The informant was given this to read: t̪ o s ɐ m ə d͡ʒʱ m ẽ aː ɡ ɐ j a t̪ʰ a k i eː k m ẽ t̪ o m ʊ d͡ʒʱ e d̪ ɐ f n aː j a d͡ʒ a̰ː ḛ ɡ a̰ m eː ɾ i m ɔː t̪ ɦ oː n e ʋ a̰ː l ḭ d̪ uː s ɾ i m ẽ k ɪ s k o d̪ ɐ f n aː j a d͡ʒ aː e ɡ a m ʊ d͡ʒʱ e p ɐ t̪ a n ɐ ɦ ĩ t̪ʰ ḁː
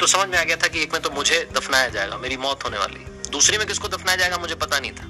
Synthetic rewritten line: t̪ o s ɐ m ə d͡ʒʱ m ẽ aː ɡ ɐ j a t̪ʰ a k i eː k m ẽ t̪ o m ʊ d͡ʒʱ e d̪ ɐ f n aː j a d͡ʒ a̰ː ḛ ɡ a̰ m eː ɾ i m ɔː t̪ ɦ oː n e ʋ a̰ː l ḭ d̪ uː s ɾ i m ẽ k ɪ s k o d̪ ɐ f n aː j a d͡ʒ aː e ɡ a m ʊ d͡ʒʱ e p ɐ t̪ a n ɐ ɦ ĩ t̪ʰ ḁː